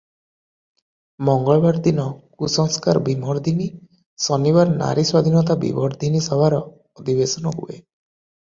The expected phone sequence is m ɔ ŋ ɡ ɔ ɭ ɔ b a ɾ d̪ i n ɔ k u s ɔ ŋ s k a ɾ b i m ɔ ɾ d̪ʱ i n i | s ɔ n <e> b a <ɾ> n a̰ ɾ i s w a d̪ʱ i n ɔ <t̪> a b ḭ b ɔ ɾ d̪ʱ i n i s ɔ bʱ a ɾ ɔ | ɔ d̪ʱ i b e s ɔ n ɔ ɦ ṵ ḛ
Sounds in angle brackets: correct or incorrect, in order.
incorrect: i, correct, correct

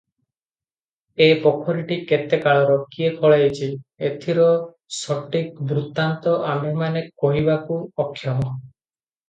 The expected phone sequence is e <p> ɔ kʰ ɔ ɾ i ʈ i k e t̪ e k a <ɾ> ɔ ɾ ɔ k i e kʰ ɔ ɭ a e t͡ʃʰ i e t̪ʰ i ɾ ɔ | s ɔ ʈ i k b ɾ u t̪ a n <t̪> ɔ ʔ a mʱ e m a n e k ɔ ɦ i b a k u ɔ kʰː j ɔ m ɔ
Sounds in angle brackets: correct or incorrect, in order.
correct, incorrect: ɭ, correct

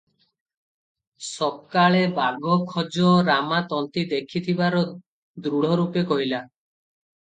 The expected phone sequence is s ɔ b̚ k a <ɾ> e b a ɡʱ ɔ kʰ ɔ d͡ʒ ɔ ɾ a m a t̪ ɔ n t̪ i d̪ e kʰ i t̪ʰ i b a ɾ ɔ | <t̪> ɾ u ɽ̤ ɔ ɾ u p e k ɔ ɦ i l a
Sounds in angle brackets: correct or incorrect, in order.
incorrect: ɭ, incorrect: d̪

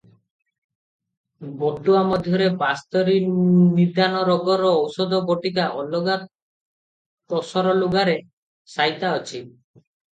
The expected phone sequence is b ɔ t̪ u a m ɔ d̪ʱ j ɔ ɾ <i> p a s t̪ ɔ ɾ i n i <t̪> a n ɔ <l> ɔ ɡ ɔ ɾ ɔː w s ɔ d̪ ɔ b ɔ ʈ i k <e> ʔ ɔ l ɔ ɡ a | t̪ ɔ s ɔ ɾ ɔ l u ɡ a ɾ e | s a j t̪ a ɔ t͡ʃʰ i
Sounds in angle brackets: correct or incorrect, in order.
incorrect: e, incorrect: d̪, incorrect: ɾ, incorrect: a

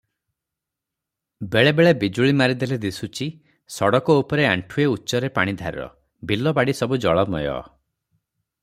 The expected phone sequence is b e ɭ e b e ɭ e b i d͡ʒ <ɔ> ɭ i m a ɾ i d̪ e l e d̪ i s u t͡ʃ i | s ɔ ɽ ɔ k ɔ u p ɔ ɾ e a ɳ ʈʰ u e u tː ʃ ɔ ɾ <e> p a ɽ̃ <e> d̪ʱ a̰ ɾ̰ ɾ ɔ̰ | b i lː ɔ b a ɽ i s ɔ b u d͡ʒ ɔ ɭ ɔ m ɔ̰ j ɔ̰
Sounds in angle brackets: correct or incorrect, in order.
incorrect: u, correct, incorrect: i

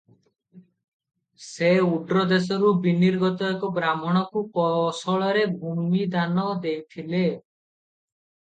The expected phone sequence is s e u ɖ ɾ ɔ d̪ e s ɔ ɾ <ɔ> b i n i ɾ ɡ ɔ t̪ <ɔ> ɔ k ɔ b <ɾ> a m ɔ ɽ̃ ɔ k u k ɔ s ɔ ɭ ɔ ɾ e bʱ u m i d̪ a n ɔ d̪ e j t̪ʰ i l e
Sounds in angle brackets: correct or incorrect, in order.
incorrect: u, correct, correct

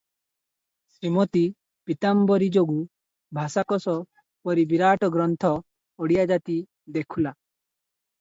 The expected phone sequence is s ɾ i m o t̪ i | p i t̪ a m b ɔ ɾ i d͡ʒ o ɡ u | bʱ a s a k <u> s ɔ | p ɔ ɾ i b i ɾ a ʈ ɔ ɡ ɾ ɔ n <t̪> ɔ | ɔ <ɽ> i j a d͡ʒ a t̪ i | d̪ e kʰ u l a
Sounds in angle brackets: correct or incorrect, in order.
incorrect: ɔ, incorrect: t̪ʰ, correct

